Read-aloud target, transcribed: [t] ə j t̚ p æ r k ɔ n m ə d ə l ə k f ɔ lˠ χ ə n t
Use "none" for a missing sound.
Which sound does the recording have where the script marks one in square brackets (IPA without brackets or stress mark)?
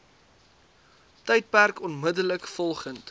t